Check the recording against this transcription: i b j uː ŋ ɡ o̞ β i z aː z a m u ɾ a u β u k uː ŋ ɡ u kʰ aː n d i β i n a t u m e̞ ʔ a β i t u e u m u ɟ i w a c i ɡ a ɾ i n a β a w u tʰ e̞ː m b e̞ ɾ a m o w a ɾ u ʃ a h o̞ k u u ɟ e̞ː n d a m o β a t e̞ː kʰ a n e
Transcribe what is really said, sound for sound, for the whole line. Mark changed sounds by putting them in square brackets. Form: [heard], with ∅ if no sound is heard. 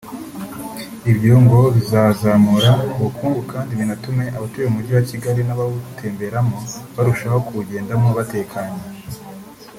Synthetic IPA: i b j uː ŋ ɡ o̞ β i z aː z a m u ɾ a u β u k uː ŋ ɡ u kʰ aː n d i β i n a t u m e̞ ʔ a β [a] t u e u m u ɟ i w a c i ɡ a ɾ i n a β a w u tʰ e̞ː m b e̞ ɾ a m o [β] a ɾ u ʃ a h o̞ k u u ɟ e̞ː n d a m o β a t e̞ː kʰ a [ɲ] e